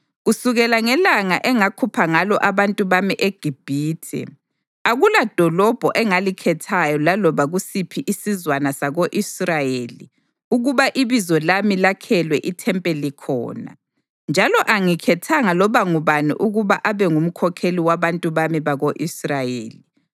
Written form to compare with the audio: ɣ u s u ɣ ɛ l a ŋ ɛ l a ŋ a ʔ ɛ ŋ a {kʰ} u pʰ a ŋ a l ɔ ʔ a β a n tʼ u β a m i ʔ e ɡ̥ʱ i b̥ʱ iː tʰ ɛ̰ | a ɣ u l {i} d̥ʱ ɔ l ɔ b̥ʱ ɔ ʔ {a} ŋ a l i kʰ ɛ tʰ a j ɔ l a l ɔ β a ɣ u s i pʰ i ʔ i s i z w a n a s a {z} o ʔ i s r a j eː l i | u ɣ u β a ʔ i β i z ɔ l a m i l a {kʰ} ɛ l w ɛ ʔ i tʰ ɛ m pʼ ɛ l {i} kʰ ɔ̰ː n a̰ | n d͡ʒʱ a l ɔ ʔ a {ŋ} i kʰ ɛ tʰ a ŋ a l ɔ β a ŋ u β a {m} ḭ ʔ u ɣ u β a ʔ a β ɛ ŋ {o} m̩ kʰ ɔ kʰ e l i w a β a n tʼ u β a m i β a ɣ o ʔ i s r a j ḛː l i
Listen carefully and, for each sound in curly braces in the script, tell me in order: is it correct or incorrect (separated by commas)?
correct, incorrect, incorrect, incorrect, correct, correct, correct, incorrect, incorrect